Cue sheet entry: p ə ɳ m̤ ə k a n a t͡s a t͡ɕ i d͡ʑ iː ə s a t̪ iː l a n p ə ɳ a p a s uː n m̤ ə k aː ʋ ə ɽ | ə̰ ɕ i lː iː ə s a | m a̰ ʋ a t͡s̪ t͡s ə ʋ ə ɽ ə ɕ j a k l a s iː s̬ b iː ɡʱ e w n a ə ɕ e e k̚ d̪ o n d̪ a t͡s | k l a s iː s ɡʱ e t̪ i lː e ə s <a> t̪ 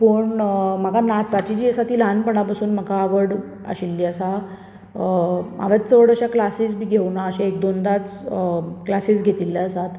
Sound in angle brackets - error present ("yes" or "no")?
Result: no